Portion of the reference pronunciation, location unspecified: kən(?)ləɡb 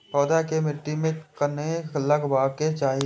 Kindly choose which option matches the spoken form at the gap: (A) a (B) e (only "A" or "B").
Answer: B